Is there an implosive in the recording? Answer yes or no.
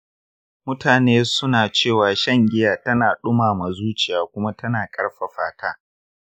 yes